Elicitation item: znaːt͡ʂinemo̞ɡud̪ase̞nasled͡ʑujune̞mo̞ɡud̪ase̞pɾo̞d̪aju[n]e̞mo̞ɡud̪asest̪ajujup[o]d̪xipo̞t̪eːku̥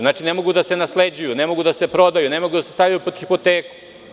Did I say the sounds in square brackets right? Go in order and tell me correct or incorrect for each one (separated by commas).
correct, correct